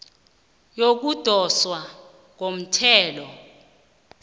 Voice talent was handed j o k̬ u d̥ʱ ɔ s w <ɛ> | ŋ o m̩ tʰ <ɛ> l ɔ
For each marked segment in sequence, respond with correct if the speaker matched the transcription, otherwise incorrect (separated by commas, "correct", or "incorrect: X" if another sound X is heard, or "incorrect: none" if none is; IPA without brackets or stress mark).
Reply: incorrect: a, incorrect: ɛː